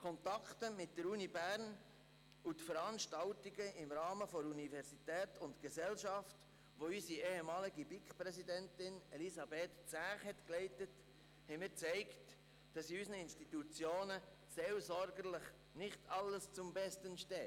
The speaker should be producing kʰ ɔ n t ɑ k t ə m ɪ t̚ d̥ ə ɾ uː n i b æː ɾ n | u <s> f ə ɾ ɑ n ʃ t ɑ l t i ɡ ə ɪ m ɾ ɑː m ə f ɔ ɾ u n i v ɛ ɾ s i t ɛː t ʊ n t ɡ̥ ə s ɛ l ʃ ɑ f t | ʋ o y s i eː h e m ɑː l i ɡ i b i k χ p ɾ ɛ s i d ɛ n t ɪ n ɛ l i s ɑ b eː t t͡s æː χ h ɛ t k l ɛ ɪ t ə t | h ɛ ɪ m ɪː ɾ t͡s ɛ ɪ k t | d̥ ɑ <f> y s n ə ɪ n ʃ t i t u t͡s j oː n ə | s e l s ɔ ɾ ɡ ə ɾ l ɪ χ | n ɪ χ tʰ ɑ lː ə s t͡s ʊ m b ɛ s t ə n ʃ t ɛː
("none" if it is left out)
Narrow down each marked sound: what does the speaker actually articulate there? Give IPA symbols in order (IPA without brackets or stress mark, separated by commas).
t, s